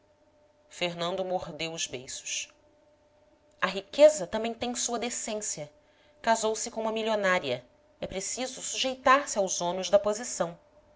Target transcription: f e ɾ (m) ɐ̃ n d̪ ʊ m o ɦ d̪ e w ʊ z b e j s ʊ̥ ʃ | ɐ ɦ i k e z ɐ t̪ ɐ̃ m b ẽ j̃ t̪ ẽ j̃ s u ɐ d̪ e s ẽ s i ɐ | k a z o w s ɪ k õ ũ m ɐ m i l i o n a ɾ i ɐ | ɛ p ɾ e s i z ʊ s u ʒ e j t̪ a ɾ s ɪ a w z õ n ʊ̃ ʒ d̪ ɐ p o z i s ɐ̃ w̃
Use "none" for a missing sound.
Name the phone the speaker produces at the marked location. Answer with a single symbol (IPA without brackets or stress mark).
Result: n